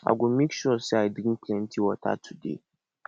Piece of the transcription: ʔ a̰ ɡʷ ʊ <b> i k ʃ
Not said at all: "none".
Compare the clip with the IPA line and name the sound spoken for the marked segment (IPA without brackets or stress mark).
m